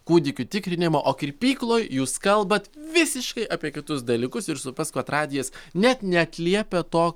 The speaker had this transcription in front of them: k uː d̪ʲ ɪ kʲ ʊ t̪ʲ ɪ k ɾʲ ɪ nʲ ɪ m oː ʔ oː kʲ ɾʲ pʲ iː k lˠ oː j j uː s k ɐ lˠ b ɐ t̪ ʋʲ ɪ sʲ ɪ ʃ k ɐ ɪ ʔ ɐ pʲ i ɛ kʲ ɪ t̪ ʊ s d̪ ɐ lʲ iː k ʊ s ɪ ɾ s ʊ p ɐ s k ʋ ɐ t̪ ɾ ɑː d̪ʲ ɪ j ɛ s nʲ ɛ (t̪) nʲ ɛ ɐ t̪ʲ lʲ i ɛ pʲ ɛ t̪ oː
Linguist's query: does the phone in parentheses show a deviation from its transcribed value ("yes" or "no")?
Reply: no